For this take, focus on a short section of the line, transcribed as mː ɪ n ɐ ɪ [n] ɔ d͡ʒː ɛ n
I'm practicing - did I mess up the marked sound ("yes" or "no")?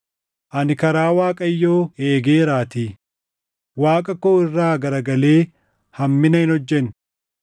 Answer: no